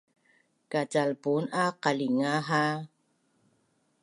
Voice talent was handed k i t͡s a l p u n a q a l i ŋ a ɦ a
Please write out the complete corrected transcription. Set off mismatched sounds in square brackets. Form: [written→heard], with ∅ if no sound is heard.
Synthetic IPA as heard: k [i→a] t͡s a l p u n a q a l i ŋ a ɦ a